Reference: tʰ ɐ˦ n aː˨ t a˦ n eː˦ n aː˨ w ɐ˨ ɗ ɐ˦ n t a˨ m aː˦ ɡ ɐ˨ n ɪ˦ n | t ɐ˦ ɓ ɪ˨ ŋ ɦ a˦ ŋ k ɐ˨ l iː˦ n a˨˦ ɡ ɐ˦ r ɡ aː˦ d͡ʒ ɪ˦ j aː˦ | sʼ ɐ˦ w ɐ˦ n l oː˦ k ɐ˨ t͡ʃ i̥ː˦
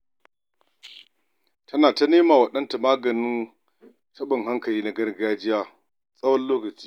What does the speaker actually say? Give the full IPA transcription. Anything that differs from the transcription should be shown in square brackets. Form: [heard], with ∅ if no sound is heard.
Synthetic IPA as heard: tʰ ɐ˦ n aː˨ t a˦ n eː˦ [m] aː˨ w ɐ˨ ɗ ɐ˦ n t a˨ m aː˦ ɡ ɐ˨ n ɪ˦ n | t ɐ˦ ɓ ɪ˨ ŋ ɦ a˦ ŋ k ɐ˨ l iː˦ n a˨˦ ɡ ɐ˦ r ɡ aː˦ d͡ʒ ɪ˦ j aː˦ | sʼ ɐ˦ w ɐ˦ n l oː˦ k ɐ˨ t͡ʃ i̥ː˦